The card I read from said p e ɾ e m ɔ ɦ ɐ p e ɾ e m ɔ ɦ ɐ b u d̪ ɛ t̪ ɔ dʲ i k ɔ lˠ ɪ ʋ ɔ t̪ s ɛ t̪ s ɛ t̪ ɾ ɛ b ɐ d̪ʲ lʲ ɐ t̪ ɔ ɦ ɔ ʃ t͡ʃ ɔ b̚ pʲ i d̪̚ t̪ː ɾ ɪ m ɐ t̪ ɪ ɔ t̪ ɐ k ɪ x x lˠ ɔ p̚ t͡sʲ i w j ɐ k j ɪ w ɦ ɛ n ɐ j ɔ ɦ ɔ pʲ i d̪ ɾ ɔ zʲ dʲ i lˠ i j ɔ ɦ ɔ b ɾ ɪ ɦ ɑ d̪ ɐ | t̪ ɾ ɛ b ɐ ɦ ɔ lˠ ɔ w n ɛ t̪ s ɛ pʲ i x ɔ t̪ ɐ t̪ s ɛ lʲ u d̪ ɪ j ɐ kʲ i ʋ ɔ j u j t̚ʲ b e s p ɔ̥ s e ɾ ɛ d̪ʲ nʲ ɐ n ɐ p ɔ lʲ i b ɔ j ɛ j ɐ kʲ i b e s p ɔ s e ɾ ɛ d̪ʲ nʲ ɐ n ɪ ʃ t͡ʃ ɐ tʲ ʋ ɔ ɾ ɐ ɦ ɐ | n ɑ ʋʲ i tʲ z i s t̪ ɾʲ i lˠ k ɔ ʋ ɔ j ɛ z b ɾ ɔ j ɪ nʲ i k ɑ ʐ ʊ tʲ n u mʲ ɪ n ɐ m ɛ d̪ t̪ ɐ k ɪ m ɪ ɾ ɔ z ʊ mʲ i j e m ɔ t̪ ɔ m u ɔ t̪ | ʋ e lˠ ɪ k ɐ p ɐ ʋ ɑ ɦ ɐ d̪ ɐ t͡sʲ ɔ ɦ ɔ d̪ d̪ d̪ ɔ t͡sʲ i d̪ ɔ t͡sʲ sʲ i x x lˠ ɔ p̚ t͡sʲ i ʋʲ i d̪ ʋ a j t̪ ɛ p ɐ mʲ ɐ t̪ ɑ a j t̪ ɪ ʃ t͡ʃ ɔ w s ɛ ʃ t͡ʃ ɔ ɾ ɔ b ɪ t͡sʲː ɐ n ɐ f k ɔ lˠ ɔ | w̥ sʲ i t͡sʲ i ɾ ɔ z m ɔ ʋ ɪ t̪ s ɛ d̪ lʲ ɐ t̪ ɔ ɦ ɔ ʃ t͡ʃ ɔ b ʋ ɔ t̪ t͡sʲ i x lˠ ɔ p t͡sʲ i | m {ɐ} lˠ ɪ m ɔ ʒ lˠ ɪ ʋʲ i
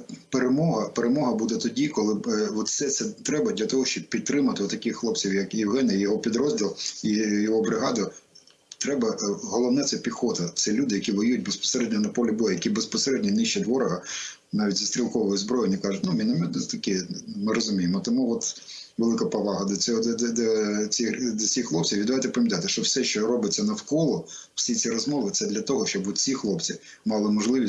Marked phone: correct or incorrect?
incorrect: ɑ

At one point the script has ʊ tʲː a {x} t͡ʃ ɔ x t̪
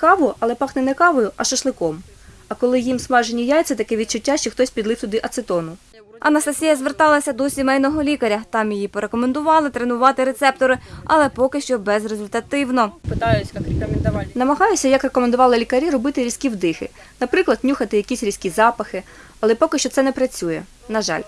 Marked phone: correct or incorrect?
incorrect: ʃ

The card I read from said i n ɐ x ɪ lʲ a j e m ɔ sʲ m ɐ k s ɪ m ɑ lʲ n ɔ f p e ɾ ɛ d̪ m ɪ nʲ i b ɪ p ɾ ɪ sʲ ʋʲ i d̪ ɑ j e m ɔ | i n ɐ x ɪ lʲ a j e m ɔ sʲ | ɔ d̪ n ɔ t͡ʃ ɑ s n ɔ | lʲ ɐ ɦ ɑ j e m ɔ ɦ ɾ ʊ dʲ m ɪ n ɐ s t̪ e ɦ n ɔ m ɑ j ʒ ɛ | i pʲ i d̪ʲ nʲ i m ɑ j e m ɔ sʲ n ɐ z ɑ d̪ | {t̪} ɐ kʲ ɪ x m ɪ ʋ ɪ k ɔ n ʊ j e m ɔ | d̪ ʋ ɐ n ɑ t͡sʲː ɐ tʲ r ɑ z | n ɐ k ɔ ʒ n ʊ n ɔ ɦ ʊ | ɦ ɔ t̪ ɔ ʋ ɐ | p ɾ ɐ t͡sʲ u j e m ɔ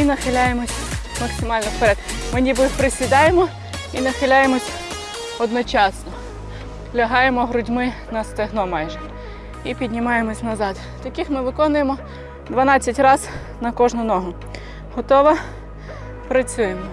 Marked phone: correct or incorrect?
correct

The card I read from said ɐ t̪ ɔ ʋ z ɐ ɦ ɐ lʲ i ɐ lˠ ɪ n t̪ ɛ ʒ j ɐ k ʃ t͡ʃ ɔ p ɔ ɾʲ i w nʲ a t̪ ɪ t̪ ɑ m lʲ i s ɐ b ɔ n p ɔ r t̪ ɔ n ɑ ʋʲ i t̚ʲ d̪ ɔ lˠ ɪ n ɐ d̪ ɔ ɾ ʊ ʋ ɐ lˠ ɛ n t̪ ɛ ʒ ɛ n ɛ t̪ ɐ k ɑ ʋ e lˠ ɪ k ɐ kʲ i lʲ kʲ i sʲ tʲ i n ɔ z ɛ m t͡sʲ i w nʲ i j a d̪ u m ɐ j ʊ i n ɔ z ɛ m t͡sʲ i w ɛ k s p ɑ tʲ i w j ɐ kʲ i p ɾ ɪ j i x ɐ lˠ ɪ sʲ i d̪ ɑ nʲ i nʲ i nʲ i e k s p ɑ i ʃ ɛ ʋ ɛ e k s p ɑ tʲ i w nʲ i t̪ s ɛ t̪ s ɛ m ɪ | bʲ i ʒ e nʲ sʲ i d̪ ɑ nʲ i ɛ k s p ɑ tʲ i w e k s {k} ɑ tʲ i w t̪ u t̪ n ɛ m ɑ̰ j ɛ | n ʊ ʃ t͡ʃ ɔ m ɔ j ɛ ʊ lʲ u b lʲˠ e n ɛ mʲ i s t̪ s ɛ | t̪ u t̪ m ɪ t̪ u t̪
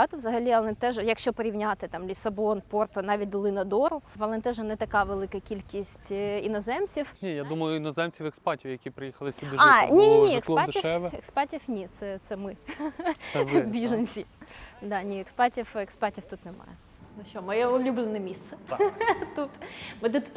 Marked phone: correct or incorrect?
incorrect: p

